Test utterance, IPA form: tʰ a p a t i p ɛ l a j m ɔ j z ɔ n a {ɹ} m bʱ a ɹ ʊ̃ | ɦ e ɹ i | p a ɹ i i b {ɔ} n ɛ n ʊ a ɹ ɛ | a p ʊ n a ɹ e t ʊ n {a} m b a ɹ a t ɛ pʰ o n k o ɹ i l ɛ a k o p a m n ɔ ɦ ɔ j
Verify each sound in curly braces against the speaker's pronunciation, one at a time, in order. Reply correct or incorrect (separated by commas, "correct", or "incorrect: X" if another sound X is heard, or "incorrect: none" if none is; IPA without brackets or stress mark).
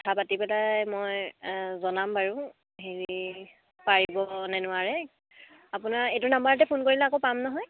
incorrect: none, correct, correct